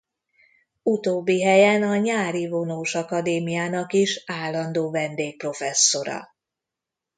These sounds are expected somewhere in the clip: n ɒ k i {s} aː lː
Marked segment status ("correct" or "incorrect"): incorrect